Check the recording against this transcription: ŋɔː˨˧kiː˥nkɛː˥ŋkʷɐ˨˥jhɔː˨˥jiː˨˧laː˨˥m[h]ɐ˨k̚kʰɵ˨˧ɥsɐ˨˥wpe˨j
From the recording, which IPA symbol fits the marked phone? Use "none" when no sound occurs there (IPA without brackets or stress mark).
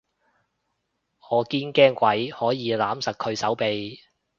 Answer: s